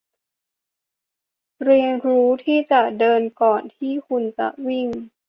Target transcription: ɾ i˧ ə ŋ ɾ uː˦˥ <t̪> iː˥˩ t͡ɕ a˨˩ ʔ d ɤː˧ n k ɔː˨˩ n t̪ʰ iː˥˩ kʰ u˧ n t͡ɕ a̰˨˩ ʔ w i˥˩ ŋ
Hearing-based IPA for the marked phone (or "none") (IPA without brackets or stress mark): t̪ʰ